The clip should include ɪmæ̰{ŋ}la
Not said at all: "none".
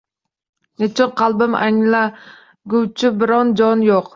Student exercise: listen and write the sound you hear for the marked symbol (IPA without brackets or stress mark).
ŋ